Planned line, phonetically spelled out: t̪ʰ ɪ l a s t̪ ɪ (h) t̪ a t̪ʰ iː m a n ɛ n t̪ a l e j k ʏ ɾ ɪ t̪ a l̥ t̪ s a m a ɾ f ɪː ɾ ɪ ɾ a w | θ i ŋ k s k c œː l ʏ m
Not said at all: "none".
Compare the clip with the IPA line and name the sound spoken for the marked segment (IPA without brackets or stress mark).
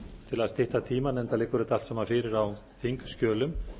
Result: h